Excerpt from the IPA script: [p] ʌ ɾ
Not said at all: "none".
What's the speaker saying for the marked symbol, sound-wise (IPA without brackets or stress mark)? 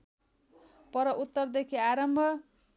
p